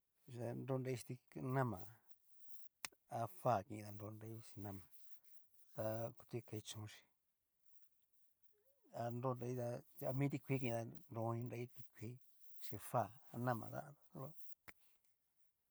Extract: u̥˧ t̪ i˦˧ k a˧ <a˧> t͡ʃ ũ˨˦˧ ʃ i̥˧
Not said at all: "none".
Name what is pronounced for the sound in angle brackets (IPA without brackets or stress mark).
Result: i˧